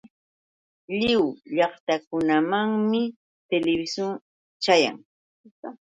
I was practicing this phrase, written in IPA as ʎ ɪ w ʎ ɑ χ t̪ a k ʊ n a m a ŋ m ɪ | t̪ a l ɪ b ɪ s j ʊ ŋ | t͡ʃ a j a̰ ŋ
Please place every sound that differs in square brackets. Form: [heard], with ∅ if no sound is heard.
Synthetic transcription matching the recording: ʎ ɪ w ʎ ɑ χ t̪ a k ʊ n a m a ŋ m ɪ | t̪ [e] l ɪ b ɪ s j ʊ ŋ | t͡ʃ a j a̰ ŋ